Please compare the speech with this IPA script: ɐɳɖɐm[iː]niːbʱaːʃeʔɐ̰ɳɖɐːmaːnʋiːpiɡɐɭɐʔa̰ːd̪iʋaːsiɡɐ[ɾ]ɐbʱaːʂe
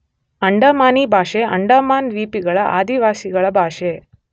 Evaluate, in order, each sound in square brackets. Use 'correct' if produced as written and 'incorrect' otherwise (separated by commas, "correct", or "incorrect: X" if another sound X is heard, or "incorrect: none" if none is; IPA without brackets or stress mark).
incorrect: aː, incorrect: ɭ